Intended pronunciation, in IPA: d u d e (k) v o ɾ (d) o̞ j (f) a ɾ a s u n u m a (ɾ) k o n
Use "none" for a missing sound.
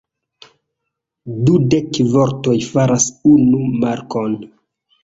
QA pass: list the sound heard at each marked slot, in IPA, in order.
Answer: k, t, f, ɾ

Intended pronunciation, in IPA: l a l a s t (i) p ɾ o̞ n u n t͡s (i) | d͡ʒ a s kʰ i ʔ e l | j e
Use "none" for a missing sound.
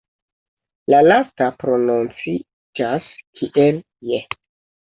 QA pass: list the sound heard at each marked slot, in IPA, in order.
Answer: a, i

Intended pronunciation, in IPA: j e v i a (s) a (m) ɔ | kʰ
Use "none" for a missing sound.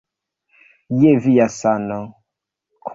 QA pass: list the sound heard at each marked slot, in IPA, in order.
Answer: s, n

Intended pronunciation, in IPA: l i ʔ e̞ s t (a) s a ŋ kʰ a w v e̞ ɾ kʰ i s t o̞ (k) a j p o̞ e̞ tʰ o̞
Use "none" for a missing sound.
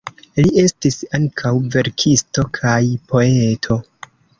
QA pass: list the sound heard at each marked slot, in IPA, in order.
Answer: i, kʰ

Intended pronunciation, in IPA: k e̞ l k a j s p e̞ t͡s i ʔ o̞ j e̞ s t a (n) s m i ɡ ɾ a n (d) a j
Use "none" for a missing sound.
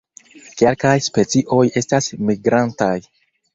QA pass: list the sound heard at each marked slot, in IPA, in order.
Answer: none, t

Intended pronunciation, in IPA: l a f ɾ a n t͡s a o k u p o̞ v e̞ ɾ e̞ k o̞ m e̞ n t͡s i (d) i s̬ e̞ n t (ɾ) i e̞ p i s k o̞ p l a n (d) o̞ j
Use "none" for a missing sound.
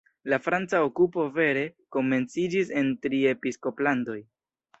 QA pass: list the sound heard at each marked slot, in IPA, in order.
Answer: d͡ʒ, ɾ, d

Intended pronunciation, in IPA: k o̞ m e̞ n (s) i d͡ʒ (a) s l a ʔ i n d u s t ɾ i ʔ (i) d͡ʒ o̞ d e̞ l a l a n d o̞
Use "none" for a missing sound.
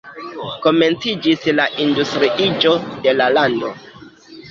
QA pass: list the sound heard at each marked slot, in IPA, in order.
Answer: t͡s, i, i

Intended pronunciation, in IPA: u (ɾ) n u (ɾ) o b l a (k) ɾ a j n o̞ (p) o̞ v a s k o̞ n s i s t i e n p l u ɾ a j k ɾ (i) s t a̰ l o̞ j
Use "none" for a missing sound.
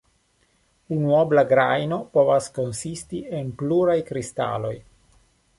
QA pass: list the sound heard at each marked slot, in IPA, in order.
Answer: none, none, ɡ, p, i

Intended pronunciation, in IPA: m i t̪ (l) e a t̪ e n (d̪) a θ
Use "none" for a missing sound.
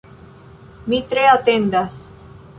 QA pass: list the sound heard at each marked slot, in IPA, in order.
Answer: ɾ, d̪

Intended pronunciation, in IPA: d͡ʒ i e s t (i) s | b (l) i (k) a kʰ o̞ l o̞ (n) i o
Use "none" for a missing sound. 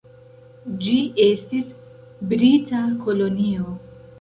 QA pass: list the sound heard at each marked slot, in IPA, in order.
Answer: i, ɾ, t, n

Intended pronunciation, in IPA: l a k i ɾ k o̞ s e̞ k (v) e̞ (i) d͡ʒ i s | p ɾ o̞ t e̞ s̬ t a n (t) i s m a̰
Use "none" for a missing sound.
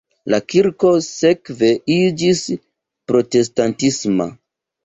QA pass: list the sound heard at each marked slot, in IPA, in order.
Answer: v, i, t

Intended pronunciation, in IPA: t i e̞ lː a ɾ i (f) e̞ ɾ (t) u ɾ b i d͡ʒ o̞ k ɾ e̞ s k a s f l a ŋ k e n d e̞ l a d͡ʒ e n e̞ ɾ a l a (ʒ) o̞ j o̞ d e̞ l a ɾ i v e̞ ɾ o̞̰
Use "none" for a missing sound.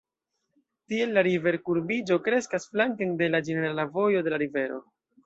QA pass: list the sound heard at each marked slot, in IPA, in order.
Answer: v, k, v

